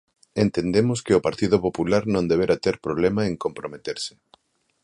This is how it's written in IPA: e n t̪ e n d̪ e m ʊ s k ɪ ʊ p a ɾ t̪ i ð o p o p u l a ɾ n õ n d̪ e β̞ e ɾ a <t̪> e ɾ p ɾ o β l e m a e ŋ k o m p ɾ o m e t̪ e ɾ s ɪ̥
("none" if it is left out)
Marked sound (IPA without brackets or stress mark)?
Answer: t̪